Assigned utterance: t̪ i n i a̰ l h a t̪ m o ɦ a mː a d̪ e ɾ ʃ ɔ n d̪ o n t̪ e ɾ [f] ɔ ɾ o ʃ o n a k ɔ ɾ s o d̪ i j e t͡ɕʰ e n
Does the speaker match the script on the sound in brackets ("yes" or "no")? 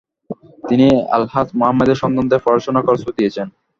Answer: yes